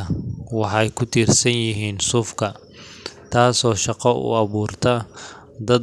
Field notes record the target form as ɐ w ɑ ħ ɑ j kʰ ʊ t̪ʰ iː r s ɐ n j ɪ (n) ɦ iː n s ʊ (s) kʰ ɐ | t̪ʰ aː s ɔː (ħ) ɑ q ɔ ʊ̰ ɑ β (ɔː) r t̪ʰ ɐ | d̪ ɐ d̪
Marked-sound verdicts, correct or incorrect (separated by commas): incorrect, incorrect, incorrect, incorrect